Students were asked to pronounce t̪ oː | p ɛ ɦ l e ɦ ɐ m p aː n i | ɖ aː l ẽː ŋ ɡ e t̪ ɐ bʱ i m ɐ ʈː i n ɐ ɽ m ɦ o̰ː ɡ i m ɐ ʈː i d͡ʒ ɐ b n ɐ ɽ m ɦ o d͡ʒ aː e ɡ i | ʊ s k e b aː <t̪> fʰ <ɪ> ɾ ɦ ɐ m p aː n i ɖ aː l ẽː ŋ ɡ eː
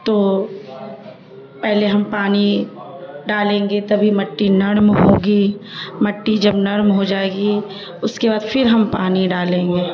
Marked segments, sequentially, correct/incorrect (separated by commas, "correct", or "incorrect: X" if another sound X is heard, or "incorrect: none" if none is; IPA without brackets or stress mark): incorrect: d̪, correct